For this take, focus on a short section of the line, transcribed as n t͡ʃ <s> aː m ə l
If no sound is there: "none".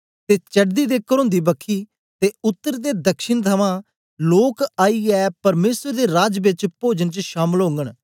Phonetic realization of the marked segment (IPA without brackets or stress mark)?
ʃ